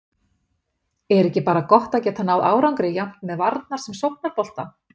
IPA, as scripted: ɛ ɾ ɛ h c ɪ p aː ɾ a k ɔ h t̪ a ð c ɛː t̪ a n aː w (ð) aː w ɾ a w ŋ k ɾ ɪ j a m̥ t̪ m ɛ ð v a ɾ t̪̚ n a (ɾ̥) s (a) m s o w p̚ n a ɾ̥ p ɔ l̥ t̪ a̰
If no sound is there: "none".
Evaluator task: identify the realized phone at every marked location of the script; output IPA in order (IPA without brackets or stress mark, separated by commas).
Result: ð, ɾ̥, ɛ